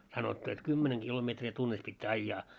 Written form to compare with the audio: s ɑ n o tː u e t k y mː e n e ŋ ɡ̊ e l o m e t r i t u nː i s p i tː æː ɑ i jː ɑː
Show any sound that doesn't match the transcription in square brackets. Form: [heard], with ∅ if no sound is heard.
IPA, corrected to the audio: s ɑ n o tː u e t k y mː e n e ŋ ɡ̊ [i] l o m e t r i t u nː i s p i tː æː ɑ i jː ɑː

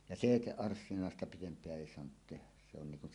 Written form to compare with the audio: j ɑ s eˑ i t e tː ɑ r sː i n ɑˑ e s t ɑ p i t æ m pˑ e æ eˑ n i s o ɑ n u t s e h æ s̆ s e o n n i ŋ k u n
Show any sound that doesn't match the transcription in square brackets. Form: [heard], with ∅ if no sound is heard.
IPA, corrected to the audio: j ɑ s eˑ i t e [ʔː] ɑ r sː i n ɑˑ e s t ɑ p i t [e] m pˑ e æ eˑ [∅] i s o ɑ n u t [t] e h æ s̆ s e o n n i ŋ k u n

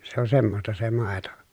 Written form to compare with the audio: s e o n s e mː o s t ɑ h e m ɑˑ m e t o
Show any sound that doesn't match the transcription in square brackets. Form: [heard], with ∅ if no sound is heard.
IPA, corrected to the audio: s e o n s e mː o s t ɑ [s] e m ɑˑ [∅] e t o

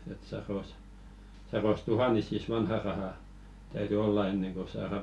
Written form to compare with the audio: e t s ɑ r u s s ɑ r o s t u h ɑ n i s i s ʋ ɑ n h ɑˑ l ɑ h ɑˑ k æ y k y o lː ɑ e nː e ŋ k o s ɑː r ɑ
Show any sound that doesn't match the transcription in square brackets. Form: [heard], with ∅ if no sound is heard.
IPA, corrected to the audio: e t s ɑ r [o] s s ɑ r o s t u h ɑ n i s i s ʋ ɑ n h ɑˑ [r] ɑ h ɑˑ [t] æ y [t] y o lː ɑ e nː e ŋ k o s ɑː r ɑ

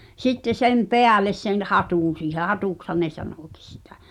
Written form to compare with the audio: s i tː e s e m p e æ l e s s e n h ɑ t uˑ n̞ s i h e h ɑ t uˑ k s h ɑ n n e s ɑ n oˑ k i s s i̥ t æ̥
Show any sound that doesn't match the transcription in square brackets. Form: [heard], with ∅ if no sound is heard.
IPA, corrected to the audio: s i tː e s e m p e æ l e s s e n h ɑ t uˑ n̞ s [iː] h e h ɑ t uˑ k s h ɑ n n e s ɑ n oˑ k i s s i̥ t æ̥

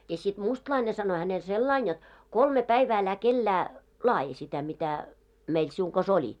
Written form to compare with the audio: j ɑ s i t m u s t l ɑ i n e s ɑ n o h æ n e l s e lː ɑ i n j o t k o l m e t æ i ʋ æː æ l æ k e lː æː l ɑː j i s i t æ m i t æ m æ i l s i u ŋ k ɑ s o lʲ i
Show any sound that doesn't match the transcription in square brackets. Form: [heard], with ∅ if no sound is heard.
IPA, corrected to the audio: j ɑ s i t m u s t l ɑ i n e s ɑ n o h æ n e l s e lː ɑ i n j o t k o l m e [p] æ i ʋ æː æ l æ k e lː æː l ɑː j i s i t æ m i t æ m [e] i l s i u ŋ k ɑ s o lʲ i

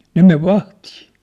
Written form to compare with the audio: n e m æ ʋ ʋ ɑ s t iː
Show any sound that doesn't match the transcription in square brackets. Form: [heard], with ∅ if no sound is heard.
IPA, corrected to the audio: n e m [e] ʋ ʋ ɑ [h] t iː

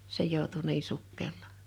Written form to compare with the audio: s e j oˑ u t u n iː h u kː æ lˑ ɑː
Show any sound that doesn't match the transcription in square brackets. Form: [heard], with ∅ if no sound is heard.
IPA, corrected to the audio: s e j oˑ u t u n iː [s] u kː [e] lˑ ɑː

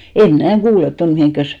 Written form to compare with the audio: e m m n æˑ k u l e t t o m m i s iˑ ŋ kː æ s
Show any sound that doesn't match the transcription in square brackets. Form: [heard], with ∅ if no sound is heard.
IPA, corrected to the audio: e m m n æˑ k [uː] l e t t o [n] m i [h] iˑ ŋ kː æ s

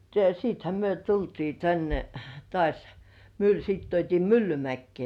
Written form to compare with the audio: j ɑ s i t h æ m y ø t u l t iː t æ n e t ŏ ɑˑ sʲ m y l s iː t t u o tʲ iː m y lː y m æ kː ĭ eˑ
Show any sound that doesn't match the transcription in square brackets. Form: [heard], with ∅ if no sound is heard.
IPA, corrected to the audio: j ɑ s [iː] t h æ m y ø t u l t iː t æ [nː] e t ŏ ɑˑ sʲ m y l s iː t t u o tʲ iː m y lː y m æ kː ĭ eˑ

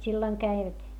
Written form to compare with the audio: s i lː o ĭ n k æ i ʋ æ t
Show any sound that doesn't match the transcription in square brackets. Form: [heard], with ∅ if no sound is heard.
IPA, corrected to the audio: s i lː o ĭ [ŋ] k æ i ʋ æ t

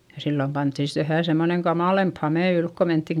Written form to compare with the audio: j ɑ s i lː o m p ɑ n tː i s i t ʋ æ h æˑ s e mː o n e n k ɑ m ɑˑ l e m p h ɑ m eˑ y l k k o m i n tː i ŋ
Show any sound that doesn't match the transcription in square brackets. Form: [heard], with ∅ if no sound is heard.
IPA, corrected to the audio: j ɑ s i lː o m p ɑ n tː i s i t ʋ æ h æˑ s e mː o n e [ŋ] k ɑ m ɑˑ l e m p h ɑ m eˑ y l k k o m [e] n tː i ŋ

